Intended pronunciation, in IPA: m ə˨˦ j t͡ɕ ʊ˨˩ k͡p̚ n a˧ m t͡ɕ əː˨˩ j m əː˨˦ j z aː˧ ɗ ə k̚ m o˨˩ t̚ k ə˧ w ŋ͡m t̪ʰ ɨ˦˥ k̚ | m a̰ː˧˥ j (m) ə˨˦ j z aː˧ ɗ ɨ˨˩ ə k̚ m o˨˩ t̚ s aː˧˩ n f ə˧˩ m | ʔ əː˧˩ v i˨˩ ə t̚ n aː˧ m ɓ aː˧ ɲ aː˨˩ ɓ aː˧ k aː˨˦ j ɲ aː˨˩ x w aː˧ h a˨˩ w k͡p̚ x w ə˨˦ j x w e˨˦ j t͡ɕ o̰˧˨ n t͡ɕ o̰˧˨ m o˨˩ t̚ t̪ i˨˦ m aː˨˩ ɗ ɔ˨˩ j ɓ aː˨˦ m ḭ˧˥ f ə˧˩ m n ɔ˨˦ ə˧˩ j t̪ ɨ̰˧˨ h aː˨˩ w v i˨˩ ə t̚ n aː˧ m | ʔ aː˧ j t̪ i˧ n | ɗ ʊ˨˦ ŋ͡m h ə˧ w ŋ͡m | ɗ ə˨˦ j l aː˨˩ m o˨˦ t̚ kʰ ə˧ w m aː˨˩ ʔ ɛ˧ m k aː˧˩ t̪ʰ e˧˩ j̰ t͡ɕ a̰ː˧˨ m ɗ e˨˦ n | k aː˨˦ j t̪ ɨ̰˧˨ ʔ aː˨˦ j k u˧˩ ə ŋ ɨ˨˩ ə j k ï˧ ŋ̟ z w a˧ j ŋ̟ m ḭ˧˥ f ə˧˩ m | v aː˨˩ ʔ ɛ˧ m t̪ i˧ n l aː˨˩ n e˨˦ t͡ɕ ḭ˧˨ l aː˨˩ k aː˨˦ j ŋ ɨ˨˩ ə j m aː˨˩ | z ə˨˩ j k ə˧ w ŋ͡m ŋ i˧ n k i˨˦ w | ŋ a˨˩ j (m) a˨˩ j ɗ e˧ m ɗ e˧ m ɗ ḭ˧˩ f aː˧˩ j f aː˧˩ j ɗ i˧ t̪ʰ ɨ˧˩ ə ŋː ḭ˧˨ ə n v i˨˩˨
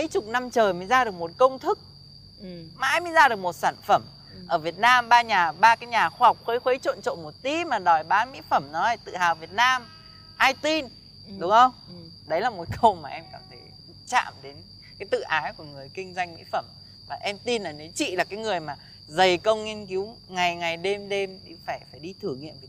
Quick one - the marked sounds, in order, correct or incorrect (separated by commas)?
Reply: correct, incorrect